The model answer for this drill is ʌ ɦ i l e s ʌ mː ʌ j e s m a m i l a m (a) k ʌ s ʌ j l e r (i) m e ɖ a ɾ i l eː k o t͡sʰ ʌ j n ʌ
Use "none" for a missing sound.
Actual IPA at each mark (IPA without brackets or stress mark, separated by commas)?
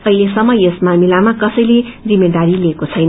a, i